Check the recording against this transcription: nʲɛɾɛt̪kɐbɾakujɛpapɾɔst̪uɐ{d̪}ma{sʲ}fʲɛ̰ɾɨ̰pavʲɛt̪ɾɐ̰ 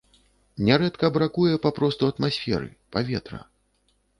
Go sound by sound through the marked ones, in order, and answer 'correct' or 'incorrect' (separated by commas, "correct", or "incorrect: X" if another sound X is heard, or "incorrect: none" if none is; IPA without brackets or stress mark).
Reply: incorrect: t̪, correct